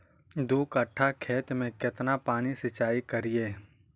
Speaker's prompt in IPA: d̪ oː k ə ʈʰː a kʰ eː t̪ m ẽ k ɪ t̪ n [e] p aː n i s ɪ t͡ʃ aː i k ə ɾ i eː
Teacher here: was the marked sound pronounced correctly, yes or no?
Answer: no